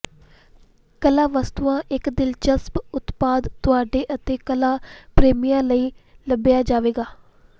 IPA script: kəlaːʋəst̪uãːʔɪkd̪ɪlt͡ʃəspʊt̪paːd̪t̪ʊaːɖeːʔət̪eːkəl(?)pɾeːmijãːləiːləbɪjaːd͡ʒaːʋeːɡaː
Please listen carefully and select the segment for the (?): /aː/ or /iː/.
aː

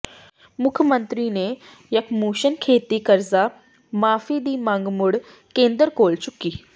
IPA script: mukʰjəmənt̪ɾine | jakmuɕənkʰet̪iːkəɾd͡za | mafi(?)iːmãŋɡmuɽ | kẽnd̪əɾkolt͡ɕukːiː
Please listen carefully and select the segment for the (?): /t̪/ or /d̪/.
d̪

